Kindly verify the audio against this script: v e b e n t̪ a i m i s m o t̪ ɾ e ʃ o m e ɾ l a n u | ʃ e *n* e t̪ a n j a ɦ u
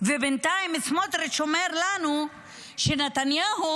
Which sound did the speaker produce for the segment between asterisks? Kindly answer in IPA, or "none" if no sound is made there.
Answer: n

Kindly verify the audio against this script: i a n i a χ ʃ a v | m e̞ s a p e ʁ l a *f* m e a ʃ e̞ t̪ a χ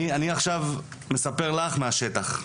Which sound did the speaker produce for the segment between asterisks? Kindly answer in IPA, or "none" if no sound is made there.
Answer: χ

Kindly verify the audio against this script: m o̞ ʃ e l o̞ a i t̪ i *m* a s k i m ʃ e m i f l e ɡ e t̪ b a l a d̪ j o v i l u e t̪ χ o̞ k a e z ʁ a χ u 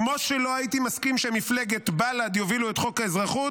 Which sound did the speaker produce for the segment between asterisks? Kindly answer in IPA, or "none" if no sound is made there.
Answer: m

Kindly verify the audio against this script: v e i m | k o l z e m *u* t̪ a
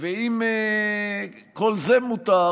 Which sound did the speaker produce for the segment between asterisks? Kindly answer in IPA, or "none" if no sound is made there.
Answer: u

